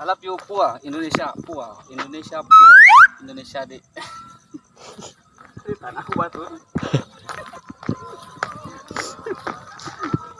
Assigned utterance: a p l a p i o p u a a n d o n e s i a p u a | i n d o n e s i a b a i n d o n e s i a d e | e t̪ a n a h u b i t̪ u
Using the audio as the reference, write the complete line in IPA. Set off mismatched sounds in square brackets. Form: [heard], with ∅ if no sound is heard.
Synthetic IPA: a [∅] l a p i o p u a [i] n d o n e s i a p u a | i n d o n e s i a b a i n d o n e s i a d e | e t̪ a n a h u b [a] t̪ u